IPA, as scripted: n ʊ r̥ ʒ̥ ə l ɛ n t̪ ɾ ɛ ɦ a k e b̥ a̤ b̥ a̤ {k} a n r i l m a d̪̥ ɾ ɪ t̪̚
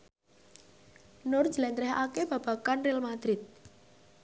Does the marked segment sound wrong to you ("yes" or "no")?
no